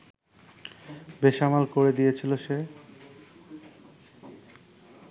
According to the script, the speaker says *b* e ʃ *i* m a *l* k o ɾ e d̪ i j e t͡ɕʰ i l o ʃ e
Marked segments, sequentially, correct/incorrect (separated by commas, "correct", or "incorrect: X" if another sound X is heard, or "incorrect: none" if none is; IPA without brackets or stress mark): correct, incorrect: a, correct